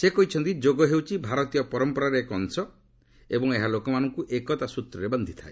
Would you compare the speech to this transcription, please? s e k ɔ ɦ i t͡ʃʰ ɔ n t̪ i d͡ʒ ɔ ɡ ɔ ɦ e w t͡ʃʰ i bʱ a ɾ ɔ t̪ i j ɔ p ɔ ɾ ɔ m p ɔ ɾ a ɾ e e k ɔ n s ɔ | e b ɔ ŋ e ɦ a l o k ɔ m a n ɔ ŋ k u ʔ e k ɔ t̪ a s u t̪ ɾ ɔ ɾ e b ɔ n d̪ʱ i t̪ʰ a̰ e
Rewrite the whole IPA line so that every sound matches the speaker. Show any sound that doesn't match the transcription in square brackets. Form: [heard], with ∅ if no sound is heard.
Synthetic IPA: s e k ɔ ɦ i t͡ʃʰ ɔ n t̪ i d͡ʒ [o] ɡ ɔ ɦ e w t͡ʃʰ i bʱ a ɾ ɔ t̪ i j ɔ p ɔ ɾ ɔ m p ɔ ɾ a ɾ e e k ɔ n s ɔ | e b ɔ ŋ e ɦ a l o k ɔ m a n ɔ ŋ k u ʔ e k ɔ t̪ a s u t̪ ɾ ɔ ɾ e b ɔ n d̪ʱ i t̪ʰ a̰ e